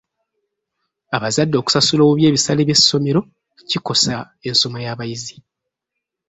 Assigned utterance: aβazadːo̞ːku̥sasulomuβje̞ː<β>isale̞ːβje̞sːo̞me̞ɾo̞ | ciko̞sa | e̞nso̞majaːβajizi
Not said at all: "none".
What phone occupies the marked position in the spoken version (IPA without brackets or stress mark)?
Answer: β